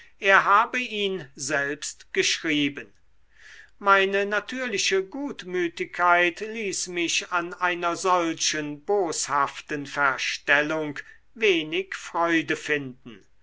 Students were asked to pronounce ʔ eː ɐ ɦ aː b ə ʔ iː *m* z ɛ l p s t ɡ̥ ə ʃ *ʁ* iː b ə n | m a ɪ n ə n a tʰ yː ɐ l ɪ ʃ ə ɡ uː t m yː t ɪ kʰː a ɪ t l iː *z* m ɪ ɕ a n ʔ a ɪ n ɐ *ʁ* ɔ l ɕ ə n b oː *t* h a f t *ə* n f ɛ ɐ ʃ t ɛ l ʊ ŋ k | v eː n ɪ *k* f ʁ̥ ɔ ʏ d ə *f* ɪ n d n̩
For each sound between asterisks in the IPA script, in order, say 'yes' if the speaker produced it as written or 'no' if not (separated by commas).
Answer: no, yes, no, no, no, yes, yes, yes